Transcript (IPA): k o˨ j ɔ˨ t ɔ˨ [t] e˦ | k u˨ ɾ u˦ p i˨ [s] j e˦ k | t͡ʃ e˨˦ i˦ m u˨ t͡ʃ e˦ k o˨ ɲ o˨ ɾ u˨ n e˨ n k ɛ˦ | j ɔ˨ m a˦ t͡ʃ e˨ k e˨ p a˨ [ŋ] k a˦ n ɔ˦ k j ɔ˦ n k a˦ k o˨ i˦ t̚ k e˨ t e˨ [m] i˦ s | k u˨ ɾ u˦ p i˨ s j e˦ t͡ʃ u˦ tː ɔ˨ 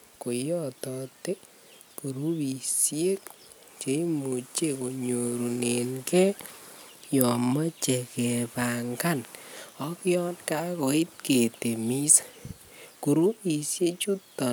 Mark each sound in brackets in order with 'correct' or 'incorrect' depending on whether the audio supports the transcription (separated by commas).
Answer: correct, correct, correct, correct